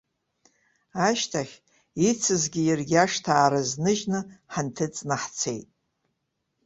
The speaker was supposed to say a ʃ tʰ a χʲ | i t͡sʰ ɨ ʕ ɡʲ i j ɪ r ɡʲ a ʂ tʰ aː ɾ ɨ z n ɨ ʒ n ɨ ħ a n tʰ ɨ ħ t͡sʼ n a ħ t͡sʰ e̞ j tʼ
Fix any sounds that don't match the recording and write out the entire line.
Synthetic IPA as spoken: a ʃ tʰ a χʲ | i t͡sʰ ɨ z ɡʲ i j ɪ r ɡʲ a ʂ tʰ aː ɾ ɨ z n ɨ ʒ n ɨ ħ a n tʰ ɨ t͡sʼ n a ħ t͡sʰ e̞ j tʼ